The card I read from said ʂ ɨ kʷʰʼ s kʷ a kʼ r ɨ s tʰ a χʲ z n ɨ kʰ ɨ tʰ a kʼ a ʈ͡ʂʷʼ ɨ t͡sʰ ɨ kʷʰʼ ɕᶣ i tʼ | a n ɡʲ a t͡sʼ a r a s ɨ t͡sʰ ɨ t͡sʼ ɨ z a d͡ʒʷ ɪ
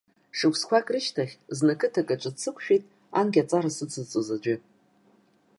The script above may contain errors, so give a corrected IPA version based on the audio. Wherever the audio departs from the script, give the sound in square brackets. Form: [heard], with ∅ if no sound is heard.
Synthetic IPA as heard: ʂ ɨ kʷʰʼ s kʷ a kʼ r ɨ [ʃ] tʰ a χʲ z n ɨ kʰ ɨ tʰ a kʼ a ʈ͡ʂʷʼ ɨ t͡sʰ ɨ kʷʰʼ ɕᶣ i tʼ | a n ɡʲ a t͡sʼ a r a s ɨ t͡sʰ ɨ t͡sʼ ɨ z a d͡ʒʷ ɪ